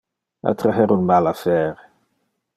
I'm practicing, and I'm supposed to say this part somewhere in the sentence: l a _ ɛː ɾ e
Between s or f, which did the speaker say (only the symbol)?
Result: f